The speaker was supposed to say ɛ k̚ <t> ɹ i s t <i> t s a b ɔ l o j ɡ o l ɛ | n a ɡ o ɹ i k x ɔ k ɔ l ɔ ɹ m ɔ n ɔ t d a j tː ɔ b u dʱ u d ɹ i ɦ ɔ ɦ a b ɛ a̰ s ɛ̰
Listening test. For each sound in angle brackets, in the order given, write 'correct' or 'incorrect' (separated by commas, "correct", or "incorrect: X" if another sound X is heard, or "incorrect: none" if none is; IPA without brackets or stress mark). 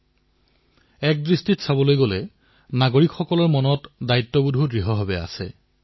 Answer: incorrect: d, correct